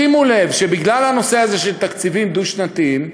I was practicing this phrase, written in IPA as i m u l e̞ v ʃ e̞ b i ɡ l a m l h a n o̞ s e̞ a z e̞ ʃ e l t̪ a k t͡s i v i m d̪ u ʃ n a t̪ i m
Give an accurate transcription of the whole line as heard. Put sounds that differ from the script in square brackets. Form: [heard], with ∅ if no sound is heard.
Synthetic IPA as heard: i m u l e̞ v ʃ e̞ b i ɡ l a [∅] l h a n o̞ s e̞ a z e̞ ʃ e l t̪ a k t͡s i v i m d̪ u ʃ n a t̪ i m